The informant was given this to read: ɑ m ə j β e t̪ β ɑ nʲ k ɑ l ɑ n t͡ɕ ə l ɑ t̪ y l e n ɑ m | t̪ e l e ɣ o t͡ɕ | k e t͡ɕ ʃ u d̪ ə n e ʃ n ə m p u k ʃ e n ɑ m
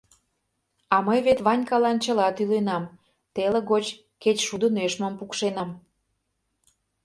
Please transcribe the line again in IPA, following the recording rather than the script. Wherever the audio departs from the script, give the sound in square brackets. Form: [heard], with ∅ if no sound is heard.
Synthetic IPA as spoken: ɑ m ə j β e t̪ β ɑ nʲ k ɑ l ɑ n t͡ɕ ə l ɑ t̪ y l e n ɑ m | t̪ e l e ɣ o t͡ɕ | k e t͡ɕ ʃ u d̪ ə n e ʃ [m] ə m p u k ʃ e n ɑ m